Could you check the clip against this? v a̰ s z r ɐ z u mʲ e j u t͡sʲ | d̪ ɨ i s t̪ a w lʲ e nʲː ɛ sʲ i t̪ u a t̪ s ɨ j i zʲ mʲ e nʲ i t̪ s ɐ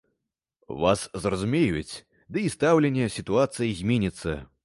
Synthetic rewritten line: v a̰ s z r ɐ z u mʲ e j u t͡sʲ | d̪ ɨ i s t̪ a w lʲ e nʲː ɛ sʲ i t̪ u a t̪ s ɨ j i zʲ mʲ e nʲ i t̪ sː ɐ